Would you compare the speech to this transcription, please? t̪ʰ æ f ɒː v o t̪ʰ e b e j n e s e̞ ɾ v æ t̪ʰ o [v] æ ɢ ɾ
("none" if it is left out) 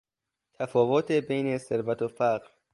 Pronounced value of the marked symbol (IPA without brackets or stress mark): f